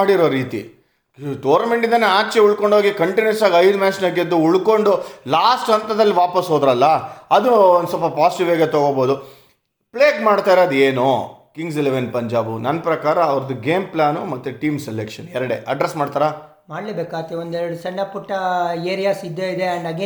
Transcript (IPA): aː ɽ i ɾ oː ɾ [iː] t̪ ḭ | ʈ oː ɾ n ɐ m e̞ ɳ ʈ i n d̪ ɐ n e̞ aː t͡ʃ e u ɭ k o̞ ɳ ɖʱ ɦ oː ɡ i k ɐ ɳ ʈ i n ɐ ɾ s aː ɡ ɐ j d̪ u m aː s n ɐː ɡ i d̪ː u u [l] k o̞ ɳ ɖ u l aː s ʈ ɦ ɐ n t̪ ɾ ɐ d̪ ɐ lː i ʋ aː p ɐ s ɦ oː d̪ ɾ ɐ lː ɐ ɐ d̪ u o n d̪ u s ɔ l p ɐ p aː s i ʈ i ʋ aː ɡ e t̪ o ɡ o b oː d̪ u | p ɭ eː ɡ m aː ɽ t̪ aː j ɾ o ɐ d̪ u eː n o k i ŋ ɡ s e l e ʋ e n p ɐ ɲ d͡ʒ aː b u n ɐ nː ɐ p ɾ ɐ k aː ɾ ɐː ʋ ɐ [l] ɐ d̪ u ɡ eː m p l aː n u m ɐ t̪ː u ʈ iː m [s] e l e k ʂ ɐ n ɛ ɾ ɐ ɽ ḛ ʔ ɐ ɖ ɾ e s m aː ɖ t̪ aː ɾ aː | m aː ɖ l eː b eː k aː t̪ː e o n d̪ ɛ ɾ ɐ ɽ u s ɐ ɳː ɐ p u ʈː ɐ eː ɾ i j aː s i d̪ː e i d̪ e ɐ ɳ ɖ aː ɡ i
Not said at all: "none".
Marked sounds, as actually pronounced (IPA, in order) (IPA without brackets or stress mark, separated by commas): iː, ɭ, ɾ, s